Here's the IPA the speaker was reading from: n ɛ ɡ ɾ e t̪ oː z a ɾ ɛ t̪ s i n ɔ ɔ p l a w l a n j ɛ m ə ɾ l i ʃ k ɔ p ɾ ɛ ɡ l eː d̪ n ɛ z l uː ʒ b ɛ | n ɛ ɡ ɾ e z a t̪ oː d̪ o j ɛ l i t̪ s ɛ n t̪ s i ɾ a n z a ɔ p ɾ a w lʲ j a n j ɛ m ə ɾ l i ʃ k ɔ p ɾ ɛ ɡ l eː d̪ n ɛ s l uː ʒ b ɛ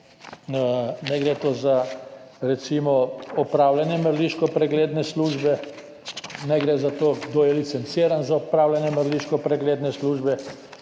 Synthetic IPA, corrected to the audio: n ɛ ɡ ɾ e t̪ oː z a ɾ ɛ t̪ s i m ɔ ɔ p ɾ a w l a n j ɛ m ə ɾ l i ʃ k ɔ p ɾ ɛ ɡ l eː d̪ n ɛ s l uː ʒ b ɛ | n ɛ ɡ ɾ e z a t̪ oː d̪ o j ɛ l i t̪ s ɛ n t̪ s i ɾ a n z a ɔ p ɾ a w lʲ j a n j ɛ m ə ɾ l i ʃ k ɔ p ɾ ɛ ɡ l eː d̪ n ɛ s l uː ʒ b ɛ

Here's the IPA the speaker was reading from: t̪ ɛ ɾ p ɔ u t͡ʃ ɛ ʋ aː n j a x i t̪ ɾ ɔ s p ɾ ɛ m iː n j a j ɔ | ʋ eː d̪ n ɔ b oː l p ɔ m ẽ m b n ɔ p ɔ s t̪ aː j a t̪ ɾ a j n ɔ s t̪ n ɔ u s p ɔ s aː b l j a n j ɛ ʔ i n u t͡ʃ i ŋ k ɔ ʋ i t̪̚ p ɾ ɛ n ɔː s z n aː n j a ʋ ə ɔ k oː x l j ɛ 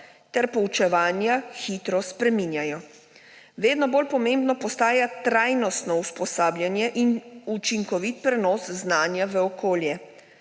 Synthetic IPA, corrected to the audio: t̪ ɛ ɾ p ɔ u t͡ʃ ɛ ʋ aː n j a x i t̪ ɾ ɔ s p ɾ ɛ m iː n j a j ɔ | ʋ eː d̪ n ɔ b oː l p ɔ m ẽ m b n ɔ p ɔ s t̪ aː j a t̪ ɾ a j n ɔ s t̪ n ɔ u s p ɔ s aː b l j a n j ɛ ʔ i n u t͡ʃ i ŋ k ɔ ʋ i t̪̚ p ɾ ɛ n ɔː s z n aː n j a ʋ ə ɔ k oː l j ɛ

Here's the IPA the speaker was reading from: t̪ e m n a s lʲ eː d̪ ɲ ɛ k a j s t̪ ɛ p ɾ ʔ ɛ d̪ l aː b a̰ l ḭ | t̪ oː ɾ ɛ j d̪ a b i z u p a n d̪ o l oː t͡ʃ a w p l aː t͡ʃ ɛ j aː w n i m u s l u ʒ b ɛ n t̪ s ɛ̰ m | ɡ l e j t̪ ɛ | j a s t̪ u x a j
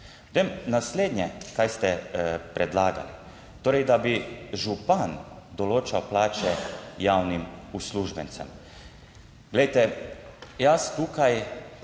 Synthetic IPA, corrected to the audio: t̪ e m n a s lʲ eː d̪ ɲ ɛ k a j s t̪ ɛ p ɾ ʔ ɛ d̪ l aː ɡ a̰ l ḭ | t̪ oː ɾ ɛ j d̪ a b i ʒ u p a n d̪ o l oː t͡ʃ a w p l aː t͡ʃ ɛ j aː w n i m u s l u ʒ b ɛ n t̪ s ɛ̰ m | ɡ l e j t̪ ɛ | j a s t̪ u k a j

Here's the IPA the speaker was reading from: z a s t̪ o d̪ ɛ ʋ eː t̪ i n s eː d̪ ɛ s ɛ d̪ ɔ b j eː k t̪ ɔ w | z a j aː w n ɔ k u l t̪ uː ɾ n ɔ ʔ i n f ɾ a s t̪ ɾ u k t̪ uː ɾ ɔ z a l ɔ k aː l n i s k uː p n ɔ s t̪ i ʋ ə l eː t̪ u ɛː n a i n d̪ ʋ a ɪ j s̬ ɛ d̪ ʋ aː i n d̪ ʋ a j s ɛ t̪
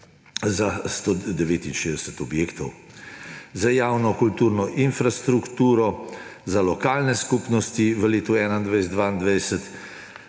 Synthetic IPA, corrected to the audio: z a s t̪ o d̪ ɛ ʋ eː t̪ i n ʃ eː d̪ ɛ s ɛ t̪ ɔ b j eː k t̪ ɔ w | z a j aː w n ɔ k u l t̪ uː ɾ n ɔ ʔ i n f ɾ a s t̪ ɾ u k t̪ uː ɾ ɔ z a l ɔ k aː l n ɛ s k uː p n ɔ s t̪ i ʋ ə l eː t̪ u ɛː n a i n d̪ ʋ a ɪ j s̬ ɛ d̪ ʋ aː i n d̪ ʋ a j s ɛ t̪

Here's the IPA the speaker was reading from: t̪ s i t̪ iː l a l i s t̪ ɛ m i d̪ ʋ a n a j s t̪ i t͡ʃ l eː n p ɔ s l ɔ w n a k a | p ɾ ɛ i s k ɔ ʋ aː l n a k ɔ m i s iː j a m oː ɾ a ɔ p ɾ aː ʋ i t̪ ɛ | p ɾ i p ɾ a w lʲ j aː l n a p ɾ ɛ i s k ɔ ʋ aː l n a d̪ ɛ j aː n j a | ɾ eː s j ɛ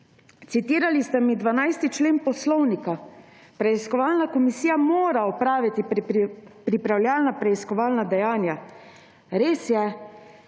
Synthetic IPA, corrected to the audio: t̪ s i t̪ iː ɾ a l i s t̪ ɛ m i d̪ ʋ a n a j s t̪ i t͡ʃ l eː n p ɔ s l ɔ w n i k a | p ɾ ɛ i s k ɔ ʋ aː l n a k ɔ m i s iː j a m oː ɾ a ɔ p ɾ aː ʋ i t̪ i | p ɾ i p ɾ a w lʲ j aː l n a p ɾ ɛ i s k ɔ ʋ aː l n a d̪ ɛ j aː n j a | ɾ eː s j ɛ

